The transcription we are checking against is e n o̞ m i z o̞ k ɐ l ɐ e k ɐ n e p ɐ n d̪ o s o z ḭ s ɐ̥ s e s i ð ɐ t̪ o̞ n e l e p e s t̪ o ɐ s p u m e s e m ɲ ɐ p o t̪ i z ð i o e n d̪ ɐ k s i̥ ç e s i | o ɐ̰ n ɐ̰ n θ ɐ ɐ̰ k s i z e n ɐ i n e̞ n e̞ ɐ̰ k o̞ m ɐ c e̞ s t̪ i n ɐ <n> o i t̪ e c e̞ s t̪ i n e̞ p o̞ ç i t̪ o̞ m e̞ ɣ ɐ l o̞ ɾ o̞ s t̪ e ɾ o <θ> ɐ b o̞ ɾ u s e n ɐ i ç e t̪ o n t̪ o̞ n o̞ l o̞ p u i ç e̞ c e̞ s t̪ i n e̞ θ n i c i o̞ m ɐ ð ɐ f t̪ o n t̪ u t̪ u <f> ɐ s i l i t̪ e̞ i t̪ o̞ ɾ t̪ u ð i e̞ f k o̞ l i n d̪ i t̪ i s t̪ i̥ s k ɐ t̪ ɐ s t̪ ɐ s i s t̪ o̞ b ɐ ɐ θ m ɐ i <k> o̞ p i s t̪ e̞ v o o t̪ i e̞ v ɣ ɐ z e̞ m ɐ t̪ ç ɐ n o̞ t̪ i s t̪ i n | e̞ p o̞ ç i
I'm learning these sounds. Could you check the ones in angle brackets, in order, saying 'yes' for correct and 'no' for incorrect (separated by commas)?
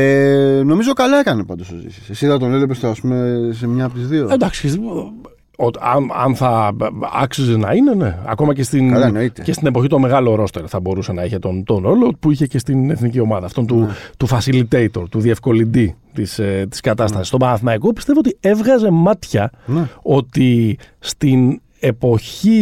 yes, yes, yes, yes